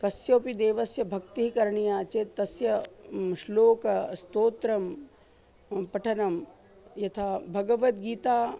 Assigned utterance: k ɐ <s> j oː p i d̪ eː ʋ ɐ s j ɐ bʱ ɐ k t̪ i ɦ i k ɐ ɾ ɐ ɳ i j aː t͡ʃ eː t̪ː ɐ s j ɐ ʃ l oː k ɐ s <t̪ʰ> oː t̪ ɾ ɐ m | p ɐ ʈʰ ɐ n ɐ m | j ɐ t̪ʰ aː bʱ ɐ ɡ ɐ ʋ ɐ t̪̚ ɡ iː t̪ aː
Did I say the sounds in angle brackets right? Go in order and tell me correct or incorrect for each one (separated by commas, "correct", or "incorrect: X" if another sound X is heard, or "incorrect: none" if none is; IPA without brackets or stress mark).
correct, incorrect: t̪